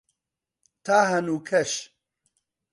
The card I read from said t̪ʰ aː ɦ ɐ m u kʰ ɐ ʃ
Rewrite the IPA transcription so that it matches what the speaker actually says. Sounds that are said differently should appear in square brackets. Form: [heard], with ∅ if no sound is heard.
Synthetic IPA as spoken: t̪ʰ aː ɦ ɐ [n] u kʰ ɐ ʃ